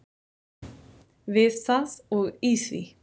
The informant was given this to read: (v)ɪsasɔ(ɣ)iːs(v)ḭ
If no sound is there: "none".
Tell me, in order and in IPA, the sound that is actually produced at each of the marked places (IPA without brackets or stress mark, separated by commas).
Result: v, ɣ, v